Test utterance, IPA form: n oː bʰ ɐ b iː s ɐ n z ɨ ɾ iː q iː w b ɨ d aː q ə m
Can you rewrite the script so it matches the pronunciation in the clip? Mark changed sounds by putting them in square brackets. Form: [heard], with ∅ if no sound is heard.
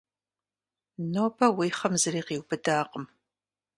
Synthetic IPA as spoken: n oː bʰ ɐ [w] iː [χ] ɐ [m] z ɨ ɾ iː q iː w b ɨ d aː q ə m